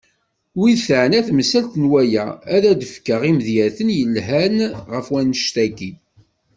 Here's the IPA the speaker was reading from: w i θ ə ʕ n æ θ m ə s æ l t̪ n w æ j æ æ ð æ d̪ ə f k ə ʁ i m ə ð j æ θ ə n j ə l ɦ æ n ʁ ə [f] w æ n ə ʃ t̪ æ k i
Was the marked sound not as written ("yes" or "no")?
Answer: no